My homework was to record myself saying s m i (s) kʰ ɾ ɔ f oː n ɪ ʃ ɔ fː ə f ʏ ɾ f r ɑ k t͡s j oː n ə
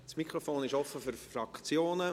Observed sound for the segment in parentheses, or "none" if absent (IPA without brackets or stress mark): none